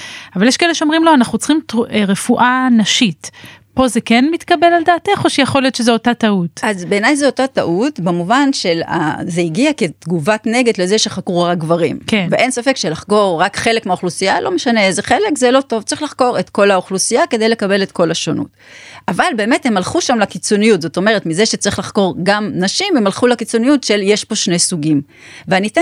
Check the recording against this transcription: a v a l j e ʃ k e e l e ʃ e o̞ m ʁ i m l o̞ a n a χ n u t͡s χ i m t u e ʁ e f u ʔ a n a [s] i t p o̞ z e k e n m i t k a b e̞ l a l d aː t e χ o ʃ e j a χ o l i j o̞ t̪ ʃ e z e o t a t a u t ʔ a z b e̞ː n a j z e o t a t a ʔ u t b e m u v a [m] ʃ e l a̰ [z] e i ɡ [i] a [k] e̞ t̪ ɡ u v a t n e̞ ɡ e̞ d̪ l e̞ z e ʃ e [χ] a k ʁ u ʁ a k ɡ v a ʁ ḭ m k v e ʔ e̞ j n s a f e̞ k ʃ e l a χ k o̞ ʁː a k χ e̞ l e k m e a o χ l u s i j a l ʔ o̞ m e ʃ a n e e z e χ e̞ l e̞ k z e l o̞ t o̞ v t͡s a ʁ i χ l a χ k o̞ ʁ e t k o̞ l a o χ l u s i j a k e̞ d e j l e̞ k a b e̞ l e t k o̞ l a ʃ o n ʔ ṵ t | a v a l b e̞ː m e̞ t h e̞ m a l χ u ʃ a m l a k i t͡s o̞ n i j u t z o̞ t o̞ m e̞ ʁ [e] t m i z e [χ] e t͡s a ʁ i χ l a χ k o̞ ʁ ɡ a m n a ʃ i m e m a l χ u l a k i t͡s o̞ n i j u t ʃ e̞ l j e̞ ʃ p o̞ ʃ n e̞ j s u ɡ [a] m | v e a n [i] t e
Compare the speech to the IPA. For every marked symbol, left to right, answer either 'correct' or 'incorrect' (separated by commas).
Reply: incorrect, incorrect, correct, correct, correct, correct, correct, incorrect, incorrect, correct